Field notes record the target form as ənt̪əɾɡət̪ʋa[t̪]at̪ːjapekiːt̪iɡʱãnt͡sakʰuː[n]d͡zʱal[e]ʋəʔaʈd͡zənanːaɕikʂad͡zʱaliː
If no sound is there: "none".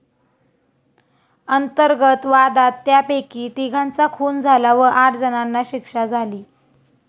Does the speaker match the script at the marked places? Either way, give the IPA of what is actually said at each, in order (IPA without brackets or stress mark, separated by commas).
d̪, n, a